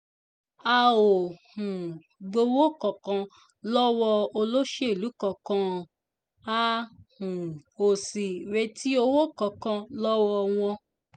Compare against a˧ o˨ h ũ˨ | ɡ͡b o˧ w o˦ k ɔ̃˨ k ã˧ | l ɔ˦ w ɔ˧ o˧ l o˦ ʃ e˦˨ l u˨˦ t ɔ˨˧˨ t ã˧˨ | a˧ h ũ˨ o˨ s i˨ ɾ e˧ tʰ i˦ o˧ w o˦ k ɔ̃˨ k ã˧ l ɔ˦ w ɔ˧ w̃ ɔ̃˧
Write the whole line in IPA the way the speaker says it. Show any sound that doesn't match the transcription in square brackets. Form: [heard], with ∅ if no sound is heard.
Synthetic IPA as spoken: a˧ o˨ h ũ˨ | ɡ͡b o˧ w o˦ k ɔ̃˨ k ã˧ | l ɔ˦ w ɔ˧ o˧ l o˦ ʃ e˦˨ l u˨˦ [k] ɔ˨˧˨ [k] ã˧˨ | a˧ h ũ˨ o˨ s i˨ ɾ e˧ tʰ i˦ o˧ w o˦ k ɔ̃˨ k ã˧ l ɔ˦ w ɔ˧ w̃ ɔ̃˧